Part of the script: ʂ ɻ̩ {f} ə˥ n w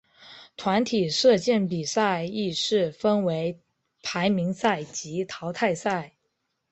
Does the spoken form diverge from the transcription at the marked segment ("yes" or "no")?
no